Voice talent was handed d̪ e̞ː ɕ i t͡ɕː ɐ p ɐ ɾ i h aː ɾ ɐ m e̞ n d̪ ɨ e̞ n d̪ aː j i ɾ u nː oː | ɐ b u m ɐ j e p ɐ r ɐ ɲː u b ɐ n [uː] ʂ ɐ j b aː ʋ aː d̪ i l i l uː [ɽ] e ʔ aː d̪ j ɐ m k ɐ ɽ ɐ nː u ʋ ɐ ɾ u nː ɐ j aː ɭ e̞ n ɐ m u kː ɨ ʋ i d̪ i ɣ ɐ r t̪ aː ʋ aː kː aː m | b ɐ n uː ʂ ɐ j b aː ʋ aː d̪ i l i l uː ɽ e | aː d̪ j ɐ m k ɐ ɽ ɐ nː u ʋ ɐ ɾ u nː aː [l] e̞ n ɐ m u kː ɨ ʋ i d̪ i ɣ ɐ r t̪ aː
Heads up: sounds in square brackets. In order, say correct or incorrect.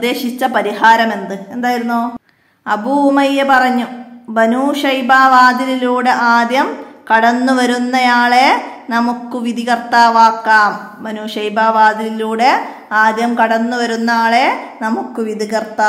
correct, correct, incorrect: ɭ

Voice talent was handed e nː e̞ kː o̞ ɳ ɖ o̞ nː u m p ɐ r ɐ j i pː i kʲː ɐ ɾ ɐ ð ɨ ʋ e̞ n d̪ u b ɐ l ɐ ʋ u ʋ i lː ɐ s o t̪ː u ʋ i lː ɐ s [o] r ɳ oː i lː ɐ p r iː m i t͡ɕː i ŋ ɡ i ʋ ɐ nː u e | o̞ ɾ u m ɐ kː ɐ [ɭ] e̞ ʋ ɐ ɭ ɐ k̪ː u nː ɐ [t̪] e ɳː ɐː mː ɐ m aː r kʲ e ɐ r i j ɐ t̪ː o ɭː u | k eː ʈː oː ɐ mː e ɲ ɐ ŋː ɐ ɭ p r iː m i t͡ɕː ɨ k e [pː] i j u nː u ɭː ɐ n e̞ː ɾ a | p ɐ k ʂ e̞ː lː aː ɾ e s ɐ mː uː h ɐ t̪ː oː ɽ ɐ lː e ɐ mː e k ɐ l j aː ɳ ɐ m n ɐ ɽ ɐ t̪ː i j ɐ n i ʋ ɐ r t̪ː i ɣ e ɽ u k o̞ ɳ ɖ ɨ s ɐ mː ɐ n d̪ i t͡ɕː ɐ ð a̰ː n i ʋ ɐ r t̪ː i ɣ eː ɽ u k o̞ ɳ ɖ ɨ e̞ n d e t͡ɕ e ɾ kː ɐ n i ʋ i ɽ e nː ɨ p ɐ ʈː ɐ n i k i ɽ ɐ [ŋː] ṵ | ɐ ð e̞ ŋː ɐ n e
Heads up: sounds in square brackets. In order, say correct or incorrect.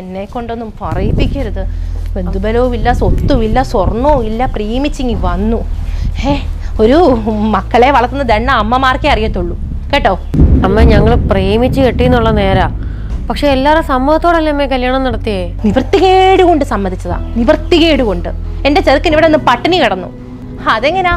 correct, correct, incorrect: d̪, incorrect: ʈː, incorrect: nː

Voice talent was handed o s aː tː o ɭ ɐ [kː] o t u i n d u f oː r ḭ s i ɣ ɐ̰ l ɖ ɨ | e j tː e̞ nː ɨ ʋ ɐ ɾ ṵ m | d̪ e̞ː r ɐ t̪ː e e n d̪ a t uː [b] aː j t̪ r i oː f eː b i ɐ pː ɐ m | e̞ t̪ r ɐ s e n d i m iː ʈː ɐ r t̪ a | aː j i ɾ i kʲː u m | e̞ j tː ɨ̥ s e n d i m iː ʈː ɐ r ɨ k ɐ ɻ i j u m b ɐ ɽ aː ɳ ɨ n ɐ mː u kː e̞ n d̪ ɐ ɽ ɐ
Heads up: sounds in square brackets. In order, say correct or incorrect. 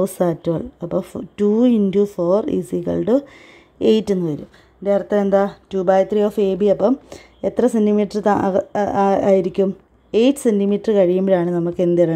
incorrect: pː, correct

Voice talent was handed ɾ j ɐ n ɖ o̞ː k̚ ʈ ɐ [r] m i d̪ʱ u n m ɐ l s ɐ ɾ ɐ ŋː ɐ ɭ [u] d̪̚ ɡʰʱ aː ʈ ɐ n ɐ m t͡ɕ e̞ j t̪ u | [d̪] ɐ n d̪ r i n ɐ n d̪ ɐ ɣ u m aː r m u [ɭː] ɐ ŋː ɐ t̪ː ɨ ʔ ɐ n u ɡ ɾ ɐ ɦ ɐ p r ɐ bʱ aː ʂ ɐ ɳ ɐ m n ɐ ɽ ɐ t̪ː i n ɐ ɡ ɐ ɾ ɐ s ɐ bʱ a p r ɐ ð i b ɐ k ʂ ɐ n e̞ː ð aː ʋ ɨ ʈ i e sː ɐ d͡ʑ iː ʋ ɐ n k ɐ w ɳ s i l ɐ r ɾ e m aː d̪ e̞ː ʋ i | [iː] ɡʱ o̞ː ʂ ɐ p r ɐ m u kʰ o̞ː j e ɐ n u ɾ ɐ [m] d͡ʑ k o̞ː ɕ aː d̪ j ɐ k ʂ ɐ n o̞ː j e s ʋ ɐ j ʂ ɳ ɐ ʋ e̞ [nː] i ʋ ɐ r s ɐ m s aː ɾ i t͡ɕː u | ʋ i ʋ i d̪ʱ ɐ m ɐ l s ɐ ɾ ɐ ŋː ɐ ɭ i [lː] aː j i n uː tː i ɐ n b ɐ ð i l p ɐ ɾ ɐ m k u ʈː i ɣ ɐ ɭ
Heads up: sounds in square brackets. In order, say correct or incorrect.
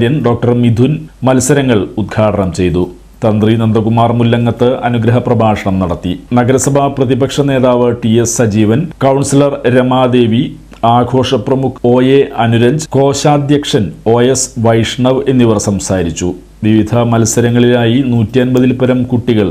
correct, correct, incorrect: t̪, incorrect: lː, incorrect: aː, incorrect: ɲ, correct, incorrect: l

